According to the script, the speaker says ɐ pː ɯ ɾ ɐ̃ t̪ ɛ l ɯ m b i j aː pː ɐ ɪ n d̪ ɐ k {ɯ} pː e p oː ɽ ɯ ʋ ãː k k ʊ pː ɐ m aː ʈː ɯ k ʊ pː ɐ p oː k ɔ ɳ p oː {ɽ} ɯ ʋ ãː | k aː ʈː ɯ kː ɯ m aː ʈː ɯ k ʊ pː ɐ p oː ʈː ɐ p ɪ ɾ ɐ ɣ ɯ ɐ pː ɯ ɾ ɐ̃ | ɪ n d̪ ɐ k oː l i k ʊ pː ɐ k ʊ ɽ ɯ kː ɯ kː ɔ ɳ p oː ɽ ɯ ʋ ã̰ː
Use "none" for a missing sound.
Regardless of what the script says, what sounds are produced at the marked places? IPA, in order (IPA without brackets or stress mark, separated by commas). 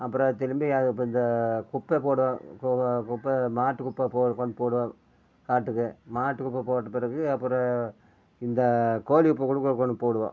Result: ʊ, ɽ